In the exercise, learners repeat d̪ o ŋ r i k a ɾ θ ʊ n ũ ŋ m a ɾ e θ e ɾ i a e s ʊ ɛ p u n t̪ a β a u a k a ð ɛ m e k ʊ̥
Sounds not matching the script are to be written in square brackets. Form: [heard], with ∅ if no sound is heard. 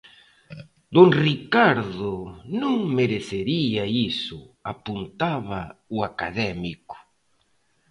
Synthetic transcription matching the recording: d̪ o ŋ r i k a ɾ [ð] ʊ n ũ ŋ m [e] ɾ e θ e ɾ i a [i] s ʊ [a] p u n t̪ a β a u a k a ð ɛ m [i] k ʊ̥